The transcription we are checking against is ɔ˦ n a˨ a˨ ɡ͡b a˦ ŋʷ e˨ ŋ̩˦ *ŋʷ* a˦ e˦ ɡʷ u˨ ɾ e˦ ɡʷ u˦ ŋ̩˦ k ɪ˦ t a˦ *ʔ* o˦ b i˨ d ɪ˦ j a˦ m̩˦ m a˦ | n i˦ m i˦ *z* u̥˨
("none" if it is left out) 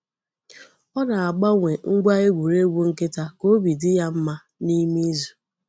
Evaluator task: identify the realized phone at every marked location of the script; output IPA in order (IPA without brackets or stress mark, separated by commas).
ɡʷ, k, z